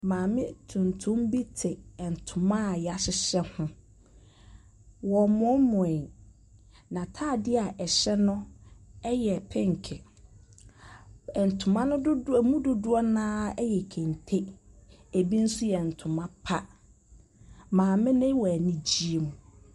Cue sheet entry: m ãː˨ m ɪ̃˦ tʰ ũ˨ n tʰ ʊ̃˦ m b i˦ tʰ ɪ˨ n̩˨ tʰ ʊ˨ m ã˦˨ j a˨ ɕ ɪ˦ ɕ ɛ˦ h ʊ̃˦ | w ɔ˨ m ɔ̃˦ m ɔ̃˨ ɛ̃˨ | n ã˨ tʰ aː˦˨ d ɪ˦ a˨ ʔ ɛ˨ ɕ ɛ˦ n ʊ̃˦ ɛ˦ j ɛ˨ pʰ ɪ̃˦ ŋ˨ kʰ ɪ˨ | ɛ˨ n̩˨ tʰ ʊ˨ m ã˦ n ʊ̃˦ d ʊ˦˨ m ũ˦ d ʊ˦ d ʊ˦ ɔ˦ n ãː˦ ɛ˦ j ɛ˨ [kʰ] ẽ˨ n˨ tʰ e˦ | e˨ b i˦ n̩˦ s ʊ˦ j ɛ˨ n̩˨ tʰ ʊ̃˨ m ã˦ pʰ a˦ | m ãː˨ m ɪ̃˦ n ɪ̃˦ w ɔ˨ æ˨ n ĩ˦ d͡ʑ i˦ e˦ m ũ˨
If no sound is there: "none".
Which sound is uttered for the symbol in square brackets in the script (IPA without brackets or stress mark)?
kʰ